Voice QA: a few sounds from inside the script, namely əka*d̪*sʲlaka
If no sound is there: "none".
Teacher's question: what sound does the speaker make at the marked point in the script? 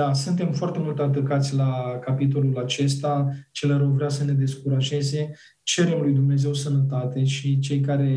t̪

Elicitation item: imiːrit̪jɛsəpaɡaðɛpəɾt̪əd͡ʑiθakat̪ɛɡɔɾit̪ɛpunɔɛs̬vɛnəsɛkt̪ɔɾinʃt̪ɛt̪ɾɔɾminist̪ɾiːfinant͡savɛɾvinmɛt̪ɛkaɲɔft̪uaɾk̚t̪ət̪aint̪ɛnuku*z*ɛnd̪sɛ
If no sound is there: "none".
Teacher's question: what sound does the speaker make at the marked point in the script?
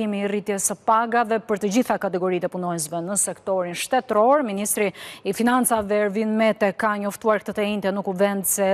v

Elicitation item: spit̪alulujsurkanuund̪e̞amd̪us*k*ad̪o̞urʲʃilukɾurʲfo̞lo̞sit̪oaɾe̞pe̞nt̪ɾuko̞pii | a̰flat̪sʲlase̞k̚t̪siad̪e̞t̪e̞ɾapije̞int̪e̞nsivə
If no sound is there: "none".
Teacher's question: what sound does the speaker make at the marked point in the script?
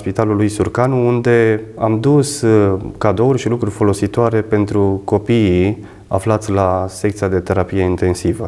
k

